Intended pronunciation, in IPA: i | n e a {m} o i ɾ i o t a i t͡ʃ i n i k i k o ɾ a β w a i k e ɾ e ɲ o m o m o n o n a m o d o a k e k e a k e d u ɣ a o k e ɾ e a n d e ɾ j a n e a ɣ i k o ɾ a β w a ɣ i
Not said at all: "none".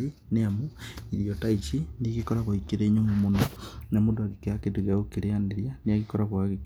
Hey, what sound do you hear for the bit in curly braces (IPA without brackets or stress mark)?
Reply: m